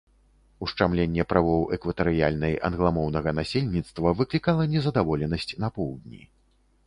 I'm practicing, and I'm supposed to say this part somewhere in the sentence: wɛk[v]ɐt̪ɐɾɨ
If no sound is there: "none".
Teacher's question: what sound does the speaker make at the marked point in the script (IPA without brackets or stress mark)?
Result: v